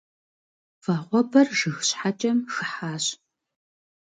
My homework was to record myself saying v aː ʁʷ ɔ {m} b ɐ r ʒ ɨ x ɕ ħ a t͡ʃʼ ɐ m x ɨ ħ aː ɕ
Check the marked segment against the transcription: incorrect: none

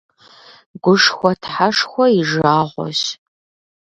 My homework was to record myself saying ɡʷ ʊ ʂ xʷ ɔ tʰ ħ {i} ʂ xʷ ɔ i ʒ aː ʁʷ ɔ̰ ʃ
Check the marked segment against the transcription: incorrect: a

